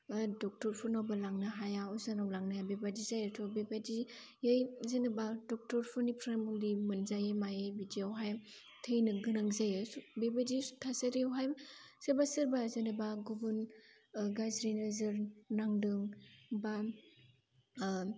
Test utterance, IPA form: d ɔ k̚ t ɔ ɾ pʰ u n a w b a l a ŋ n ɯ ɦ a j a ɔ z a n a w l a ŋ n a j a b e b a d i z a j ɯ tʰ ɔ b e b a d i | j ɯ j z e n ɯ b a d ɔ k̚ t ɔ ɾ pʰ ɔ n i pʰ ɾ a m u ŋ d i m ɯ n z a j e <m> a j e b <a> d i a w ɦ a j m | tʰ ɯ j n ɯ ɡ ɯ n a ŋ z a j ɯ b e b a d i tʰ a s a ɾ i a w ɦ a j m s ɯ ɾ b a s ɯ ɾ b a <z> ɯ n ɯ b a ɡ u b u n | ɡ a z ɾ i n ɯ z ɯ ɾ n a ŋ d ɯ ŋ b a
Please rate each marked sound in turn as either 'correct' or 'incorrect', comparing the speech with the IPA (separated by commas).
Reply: correct, incorrect, correct